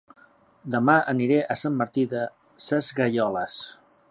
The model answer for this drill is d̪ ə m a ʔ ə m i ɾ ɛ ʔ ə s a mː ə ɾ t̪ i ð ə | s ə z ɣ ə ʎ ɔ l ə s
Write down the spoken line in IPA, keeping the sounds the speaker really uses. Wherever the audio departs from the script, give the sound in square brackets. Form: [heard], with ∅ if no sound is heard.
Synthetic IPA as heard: d̪ ə m a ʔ ə [n] i ɾ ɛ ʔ ə s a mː ə ɾ t̪ i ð ə | s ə z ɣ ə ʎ ɔ l ə s